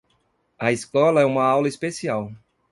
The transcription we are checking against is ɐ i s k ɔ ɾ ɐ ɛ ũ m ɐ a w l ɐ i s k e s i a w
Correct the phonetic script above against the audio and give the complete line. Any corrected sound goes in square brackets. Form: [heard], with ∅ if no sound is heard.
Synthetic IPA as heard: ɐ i s k ɔ [l] ɐ ɛ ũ m ɐ a w l ɐ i s [p] e s i a w